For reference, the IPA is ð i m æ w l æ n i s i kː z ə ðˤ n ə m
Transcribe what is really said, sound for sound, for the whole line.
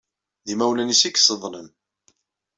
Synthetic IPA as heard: ð i m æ w l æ n i s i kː s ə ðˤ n ə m